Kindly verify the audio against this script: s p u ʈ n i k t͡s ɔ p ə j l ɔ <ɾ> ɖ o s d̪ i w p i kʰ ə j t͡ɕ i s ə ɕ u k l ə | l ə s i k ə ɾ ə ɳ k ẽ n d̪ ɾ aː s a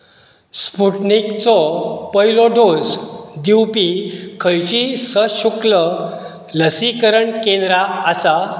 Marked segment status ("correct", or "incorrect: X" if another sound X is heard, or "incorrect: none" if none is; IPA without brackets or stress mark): incorrect: none